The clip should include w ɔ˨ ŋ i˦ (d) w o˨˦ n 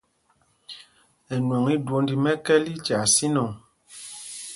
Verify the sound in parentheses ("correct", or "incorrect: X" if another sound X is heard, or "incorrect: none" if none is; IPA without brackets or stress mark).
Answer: correct